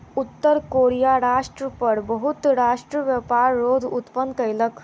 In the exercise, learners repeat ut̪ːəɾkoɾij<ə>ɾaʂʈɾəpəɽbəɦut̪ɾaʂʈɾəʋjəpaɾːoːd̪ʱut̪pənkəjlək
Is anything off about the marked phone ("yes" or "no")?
yes